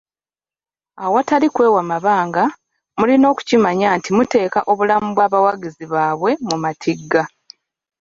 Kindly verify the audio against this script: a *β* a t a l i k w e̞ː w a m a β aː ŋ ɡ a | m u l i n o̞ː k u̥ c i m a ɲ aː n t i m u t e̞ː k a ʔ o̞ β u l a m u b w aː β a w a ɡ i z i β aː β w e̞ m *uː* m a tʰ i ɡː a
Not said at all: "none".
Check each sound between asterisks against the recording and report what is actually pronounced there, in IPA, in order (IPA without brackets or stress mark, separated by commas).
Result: w, u